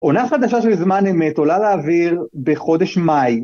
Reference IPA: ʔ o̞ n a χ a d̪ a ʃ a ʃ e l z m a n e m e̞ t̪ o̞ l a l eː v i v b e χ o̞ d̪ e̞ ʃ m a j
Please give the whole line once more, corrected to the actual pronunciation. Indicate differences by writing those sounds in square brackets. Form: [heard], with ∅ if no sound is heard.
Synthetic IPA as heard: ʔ o̞ n a χ a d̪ a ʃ a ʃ e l z m a n e m e̞ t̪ o̞ l a l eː v i [ʁ] b e χ o̞ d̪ e̞ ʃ m a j